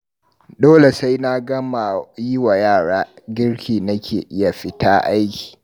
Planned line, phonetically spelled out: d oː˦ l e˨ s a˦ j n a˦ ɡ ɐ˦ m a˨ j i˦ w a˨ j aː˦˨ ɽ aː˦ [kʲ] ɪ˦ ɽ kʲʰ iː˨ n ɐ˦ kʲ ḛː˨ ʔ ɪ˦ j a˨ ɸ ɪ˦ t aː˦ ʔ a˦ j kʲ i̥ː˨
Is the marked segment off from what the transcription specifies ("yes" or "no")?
yes